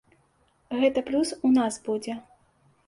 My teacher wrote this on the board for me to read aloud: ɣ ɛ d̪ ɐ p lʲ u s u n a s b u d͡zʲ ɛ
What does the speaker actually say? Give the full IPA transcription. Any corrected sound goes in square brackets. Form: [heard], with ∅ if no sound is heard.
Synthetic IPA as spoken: ɣ ɛ [t̪] ɐ p lʲ u s u n a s b u d͡zʲ ɛ